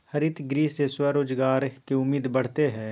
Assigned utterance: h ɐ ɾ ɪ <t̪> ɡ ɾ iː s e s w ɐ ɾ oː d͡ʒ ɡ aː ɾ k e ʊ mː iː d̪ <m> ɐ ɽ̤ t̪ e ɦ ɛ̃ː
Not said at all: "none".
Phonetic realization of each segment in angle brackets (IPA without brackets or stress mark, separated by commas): t̪, b